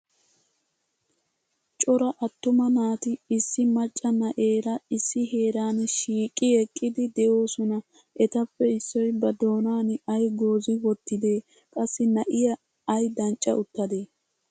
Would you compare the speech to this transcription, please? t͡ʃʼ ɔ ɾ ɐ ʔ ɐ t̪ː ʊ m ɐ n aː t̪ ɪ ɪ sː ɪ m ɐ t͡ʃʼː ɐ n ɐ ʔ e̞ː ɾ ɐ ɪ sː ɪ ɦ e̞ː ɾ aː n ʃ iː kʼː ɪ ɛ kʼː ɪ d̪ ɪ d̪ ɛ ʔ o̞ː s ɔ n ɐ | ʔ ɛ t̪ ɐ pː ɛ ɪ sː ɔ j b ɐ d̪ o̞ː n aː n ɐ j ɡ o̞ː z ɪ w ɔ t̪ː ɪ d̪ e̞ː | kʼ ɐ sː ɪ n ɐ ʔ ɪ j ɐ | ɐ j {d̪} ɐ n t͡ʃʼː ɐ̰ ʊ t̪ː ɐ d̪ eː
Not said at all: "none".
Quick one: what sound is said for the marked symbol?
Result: d̪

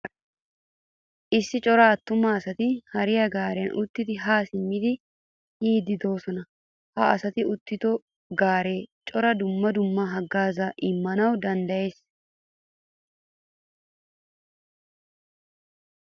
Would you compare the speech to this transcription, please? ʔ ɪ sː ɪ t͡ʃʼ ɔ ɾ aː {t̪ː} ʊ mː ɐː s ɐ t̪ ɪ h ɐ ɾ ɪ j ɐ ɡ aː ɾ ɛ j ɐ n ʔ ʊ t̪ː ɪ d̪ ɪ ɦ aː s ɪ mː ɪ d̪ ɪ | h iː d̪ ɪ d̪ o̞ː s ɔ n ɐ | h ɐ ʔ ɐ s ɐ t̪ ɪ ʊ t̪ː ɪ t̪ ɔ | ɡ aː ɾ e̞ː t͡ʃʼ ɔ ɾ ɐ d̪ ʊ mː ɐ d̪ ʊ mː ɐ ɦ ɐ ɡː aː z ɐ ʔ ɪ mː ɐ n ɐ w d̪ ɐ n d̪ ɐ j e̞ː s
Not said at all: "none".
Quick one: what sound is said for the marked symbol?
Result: t̪ː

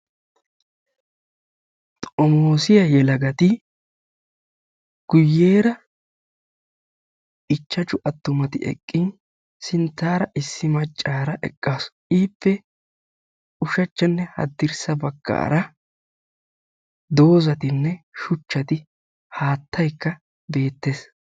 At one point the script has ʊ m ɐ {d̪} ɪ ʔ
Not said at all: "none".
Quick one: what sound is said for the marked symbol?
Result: t̪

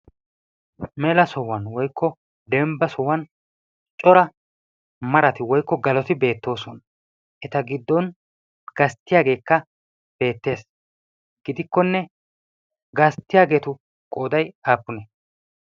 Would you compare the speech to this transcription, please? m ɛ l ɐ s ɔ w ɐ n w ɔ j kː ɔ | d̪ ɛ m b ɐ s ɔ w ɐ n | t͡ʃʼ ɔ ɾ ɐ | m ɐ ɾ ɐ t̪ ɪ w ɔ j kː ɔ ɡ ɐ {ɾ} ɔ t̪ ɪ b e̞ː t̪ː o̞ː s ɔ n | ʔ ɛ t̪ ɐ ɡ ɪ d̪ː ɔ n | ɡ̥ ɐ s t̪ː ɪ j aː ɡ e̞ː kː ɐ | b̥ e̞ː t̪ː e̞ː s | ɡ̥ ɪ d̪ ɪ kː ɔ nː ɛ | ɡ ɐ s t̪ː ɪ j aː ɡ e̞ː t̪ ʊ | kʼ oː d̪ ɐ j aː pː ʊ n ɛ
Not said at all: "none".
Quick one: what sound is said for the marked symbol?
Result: l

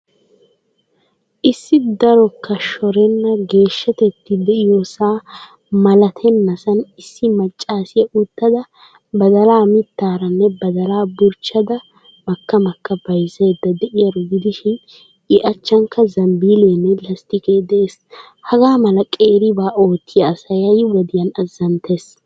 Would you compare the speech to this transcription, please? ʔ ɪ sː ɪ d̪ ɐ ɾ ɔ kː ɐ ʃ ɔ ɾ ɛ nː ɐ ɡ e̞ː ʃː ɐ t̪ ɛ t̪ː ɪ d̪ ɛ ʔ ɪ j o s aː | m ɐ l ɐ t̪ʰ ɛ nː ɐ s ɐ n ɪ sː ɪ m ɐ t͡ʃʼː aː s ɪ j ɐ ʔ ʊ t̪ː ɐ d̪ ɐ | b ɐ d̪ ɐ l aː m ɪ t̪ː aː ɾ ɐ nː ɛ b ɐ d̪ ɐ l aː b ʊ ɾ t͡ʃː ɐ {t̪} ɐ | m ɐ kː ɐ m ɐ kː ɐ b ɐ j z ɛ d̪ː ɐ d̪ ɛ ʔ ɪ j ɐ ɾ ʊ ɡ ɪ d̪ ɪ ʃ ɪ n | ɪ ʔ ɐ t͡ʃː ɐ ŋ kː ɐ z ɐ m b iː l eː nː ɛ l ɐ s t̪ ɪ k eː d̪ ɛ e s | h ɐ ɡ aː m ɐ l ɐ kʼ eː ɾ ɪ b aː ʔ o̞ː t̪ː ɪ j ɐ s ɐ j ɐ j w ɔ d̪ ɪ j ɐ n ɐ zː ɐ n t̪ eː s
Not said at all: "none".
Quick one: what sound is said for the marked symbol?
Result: d̪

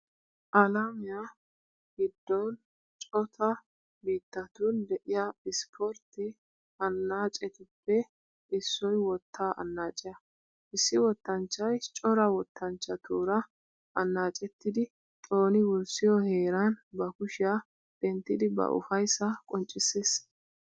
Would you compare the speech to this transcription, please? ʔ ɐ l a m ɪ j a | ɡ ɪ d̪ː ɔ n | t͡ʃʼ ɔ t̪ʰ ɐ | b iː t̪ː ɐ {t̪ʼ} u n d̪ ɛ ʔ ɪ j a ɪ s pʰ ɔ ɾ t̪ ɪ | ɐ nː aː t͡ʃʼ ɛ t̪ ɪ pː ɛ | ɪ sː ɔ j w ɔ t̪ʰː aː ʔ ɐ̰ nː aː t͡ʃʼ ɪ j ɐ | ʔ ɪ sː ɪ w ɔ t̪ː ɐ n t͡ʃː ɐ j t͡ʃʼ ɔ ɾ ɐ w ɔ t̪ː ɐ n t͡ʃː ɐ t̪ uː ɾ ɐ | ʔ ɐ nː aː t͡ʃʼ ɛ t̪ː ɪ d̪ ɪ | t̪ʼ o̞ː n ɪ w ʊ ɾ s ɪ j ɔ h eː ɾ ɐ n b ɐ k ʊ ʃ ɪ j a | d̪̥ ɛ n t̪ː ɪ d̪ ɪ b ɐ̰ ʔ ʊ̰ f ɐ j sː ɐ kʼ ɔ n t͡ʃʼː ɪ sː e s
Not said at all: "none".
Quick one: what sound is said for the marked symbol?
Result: t̪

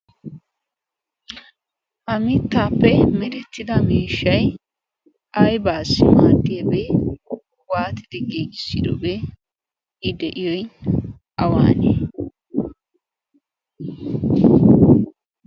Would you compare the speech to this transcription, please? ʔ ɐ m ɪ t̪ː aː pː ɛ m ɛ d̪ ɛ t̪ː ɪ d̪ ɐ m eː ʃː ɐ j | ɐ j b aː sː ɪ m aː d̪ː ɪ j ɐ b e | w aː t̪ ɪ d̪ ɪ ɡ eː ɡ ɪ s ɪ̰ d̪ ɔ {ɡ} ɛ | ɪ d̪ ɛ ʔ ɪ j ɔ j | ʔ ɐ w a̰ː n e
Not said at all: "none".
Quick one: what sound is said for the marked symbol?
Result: b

